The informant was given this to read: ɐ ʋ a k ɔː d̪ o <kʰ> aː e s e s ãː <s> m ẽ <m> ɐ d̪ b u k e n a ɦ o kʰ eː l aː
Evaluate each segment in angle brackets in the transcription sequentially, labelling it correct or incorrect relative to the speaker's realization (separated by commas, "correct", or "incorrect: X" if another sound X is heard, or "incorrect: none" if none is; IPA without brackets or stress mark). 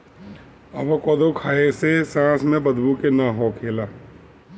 correct, correct, incorrect: b